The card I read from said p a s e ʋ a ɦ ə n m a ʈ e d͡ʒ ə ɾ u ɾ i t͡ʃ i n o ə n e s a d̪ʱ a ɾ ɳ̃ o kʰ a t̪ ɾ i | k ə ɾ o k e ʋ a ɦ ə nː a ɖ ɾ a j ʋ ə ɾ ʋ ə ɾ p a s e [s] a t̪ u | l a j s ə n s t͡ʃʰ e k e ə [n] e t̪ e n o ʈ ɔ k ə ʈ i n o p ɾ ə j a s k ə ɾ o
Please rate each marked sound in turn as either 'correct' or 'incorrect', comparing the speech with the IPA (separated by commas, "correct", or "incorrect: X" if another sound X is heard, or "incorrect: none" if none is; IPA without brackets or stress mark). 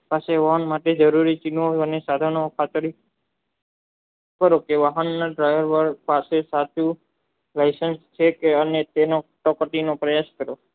correct, correct